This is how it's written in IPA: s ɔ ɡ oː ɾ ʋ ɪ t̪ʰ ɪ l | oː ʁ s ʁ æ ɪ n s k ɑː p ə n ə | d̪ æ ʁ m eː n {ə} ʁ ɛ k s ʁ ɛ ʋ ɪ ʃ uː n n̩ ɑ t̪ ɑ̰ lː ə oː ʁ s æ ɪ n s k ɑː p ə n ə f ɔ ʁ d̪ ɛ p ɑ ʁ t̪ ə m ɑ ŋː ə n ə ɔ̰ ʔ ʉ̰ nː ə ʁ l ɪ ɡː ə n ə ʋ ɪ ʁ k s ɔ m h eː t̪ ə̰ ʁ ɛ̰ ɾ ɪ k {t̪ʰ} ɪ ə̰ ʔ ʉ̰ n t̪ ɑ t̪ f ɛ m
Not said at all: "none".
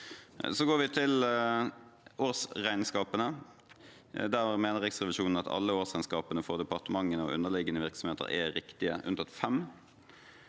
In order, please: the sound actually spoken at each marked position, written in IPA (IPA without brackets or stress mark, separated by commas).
ə, t̪